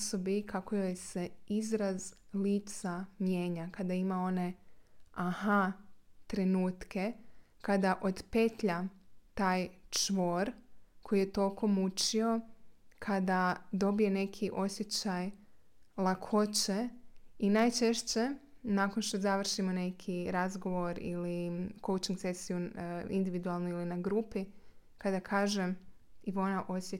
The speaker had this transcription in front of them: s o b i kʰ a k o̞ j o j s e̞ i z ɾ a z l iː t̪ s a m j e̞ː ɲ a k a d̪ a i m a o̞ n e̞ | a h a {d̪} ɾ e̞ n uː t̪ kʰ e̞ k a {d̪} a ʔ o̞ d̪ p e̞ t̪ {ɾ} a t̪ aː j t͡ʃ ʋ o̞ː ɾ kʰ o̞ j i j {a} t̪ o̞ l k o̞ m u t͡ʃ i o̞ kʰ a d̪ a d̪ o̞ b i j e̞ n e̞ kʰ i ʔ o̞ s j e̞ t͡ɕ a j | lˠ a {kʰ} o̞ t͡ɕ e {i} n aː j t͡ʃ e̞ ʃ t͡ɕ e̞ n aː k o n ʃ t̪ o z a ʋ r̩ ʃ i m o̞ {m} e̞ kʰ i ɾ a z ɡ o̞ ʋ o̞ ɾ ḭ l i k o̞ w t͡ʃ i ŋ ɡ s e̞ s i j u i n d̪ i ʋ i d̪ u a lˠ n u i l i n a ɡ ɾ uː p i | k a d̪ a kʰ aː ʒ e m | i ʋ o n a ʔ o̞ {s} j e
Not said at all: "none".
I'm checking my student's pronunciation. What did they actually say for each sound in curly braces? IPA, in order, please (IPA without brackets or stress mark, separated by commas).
t̪, d̪, ʎ, e, kʰ, i, n, s